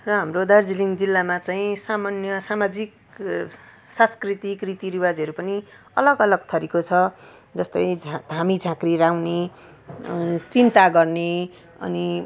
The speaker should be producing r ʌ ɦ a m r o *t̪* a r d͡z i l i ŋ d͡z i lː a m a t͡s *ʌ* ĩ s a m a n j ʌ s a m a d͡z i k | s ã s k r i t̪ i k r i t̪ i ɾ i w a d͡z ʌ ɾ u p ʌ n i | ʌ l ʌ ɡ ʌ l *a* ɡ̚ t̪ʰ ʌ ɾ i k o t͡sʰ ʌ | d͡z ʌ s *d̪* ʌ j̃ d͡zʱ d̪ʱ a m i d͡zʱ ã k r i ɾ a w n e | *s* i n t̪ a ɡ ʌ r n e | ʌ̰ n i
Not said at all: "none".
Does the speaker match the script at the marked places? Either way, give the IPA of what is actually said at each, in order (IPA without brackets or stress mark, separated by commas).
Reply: d̪, a, ʌ, t̪, t͡s